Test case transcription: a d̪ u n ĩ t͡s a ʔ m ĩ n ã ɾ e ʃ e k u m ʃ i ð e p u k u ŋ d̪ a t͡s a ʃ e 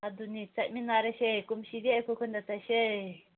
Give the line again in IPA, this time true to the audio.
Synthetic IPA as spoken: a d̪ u n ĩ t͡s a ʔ m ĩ n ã ɾ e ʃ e k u m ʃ i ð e k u k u n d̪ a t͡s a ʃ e